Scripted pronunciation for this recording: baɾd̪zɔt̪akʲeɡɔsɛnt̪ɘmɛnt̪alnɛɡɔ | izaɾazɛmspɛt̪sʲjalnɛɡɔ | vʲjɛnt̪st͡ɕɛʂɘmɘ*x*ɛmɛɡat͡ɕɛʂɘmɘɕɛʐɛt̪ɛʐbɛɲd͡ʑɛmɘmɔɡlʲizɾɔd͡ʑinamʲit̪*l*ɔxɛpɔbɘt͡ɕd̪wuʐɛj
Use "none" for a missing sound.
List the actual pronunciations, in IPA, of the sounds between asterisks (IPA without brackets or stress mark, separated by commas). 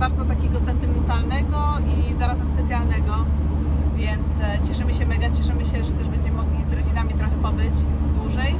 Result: ɕ, ɾ